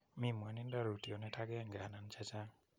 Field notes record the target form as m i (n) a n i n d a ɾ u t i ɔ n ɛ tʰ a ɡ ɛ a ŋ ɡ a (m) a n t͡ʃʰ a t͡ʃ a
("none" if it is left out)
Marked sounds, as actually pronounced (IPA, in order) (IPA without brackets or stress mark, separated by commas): m, n